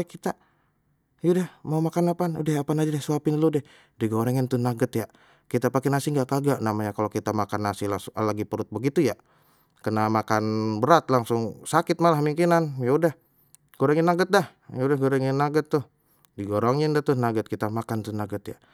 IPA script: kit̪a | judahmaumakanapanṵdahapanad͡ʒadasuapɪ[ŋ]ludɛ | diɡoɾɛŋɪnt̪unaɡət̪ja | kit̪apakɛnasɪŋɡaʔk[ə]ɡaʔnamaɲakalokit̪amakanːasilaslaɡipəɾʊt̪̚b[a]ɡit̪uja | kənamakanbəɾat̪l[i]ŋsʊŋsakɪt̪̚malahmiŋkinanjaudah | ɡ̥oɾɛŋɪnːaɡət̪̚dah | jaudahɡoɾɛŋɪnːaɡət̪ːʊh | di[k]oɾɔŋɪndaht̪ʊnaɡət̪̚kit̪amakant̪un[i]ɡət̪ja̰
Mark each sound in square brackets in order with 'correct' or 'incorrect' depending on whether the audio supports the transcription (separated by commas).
incorrect, incorrect, incorrect, incorrect, incorrect, incorrect